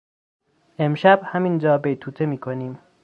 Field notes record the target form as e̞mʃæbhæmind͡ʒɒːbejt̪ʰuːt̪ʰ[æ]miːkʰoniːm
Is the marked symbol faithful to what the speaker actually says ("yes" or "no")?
no